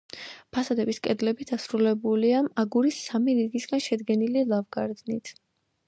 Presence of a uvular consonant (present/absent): absent